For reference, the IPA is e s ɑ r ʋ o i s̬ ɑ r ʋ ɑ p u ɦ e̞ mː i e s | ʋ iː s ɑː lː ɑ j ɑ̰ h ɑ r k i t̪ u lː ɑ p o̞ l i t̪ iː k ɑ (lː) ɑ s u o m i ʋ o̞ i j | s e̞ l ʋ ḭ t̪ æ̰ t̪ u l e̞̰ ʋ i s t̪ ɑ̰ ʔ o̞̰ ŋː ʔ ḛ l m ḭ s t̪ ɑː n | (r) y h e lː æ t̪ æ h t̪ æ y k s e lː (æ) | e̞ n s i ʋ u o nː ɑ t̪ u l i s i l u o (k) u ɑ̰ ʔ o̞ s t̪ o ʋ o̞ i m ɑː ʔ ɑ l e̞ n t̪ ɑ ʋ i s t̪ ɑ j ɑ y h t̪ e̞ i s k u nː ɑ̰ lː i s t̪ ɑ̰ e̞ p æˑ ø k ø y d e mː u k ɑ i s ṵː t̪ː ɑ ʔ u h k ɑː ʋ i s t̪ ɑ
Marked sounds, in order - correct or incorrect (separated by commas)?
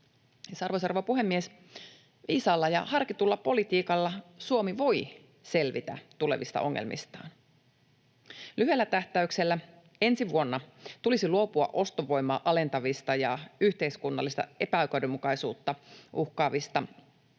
correct, incorrect, correct, incorrect